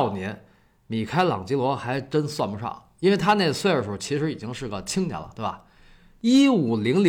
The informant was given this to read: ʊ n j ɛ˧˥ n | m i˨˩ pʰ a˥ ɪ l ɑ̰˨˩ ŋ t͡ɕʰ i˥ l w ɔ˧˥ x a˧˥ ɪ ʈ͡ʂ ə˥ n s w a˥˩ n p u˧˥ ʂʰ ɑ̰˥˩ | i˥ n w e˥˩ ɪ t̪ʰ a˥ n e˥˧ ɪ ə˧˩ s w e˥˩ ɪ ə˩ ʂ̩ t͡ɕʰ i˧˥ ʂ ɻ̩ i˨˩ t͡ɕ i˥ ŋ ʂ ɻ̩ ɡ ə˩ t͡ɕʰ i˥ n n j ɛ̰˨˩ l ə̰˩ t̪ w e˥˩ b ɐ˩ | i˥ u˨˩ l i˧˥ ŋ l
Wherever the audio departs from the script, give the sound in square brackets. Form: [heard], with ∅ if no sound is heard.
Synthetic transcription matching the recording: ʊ n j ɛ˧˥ n | m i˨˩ [kʰ] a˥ ɪ l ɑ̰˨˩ ŋ [t͡ɕ] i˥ l w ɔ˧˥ x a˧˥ ɪ ʈ͡ʂ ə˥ n s w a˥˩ n p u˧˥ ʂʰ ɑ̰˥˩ | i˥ n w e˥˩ ɪ t̪ʰ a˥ n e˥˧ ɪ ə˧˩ s w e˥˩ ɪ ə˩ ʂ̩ t͡ɕʰ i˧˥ ʂ ɻ̩ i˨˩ t͡ɕ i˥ ŋ ʂ ɻ̩ ɡ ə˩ t͡ɕʰ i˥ [ŋ] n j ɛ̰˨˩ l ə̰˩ t̪ w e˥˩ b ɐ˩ | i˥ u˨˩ l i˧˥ ŋ l